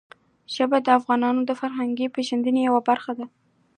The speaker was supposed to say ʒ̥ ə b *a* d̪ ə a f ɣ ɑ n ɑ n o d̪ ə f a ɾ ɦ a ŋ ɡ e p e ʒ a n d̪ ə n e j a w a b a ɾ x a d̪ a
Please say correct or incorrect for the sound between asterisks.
correct